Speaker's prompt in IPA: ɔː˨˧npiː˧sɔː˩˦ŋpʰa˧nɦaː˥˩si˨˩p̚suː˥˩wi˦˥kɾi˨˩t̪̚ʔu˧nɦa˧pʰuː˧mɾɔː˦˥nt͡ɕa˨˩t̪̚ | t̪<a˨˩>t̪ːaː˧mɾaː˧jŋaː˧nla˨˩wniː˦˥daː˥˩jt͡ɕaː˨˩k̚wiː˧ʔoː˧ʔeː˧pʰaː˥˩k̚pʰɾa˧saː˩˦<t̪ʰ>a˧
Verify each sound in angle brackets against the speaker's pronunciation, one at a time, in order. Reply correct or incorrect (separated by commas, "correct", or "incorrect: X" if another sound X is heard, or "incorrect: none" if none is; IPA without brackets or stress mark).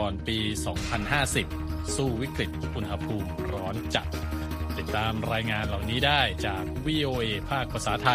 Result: incorrect: i˨˩, correct